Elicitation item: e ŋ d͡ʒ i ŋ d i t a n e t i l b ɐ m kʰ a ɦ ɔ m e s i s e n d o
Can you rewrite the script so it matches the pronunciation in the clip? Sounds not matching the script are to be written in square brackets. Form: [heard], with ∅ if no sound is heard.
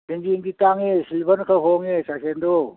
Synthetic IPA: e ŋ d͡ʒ i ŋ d i t a [ŋ] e [s] i l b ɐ [n] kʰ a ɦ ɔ [ŋ] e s [a] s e n d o